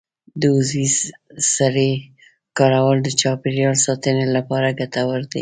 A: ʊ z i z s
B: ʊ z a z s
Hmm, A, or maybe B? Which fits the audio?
A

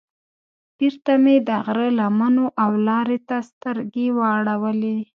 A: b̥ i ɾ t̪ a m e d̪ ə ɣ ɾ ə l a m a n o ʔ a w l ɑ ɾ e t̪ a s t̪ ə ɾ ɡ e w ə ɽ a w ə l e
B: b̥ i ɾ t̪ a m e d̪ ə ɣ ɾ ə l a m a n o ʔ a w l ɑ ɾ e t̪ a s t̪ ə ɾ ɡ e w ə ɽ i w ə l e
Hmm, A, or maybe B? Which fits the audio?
A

